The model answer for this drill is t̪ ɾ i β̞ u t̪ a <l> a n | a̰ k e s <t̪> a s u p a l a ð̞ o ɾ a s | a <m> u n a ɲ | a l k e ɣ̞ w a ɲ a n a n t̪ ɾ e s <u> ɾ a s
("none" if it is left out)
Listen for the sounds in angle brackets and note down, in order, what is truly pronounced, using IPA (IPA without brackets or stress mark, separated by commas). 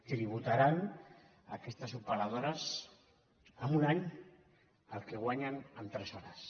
ɾ, t̪, m, o